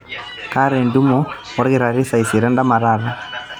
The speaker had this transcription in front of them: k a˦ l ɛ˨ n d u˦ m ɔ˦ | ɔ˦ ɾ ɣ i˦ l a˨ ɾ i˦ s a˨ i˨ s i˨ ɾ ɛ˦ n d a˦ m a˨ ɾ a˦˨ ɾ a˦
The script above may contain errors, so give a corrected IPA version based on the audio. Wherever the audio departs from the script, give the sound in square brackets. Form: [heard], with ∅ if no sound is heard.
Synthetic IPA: k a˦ [ɾ] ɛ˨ n d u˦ m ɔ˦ | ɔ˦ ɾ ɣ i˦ [ɾ] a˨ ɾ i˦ s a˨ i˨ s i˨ ɾ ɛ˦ n d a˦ m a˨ ɾ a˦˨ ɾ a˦